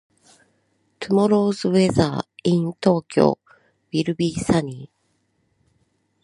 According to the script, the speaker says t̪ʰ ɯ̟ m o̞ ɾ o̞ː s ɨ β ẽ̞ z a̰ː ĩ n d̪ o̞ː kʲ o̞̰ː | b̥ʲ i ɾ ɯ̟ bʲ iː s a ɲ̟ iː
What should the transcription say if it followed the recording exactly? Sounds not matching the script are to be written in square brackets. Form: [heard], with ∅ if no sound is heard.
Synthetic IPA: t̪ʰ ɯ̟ m o̞ ɾ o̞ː [z] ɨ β [e̞] z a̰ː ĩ n [t̪] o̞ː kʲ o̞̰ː | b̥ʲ i ɾ ɯ̟ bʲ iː s a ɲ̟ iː